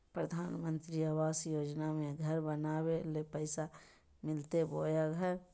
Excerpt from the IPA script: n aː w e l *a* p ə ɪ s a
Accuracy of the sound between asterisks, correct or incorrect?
incorrect